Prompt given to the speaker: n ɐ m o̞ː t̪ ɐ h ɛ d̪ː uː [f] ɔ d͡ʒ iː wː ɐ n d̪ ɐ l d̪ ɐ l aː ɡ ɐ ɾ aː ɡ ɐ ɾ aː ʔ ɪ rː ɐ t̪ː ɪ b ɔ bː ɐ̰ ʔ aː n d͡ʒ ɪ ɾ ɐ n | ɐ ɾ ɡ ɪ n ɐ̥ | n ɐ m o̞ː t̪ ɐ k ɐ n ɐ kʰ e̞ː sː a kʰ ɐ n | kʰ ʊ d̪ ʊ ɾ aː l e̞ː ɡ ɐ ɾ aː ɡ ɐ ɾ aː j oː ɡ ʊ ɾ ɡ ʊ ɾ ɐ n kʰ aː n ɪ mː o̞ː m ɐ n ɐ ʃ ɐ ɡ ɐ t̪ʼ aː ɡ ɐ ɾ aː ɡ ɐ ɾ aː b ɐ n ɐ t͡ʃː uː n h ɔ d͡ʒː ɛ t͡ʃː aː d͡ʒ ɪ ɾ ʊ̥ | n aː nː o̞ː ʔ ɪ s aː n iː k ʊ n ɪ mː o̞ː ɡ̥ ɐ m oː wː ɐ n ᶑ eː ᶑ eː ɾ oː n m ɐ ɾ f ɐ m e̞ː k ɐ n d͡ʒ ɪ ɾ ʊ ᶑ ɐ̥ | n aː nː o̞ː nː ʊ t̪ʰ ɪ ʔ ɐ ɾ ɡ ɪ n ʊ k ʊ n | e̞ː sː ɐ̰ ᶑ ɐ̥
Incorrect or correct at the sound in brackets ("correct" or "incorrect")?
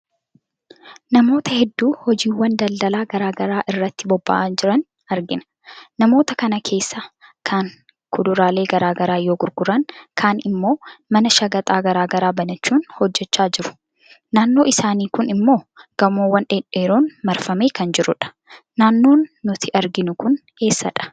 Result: incorrect